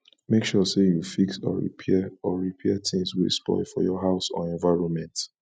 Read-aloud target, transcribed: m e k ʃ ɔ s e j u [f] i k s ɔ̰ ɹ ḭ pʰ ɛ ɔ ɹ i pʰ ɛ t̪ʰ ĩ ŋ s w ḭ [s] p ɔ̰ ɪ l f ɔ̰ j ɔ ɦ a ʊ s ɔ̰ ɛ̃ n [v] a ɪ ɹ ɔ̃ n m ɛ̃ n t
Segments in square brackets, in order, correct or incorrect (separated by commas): correct, correct, correct